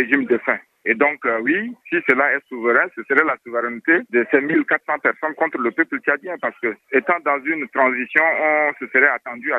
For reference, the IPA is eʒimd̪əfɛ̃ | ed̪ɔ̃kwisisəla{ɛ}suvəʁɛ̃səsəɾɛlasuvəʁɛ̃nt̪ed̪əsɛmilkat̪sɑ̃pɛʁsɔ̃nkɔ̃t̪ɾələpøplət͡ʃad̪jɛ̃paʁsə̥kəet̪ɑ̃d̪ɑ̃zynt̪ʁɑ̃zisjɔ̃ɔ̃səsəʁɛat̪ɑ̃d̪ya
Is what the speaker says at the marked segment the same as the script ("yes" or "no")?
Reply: yes